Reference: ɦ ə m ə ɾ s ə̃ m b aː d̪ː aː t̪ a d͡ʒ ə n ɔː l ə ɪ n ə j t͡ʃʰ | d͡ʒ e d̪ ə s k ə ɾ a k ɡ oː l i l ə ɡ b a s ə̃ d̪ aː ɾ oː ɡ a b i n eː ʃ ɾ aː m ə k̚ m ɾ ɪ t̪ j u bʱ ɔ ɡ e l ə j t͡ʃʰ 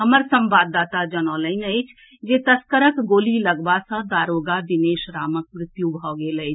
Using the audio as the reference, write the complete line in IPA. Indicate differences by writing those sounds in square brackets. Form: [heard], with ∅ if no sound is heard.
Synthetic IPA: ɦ ə m ə ɾ s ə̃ m b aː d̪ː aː t̪ a d͡ʒ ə n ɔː l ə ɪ n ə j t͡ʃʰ | d͡ʒ e [t̪] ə s k ə ɾ [ə] k ɡ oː l i l ə ɡ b a s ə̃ d̪ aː ɾ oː ɡ a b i n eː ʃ ɾ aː m ə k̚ m ɾ ɪ t̪ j u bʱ ɔ ɡ e l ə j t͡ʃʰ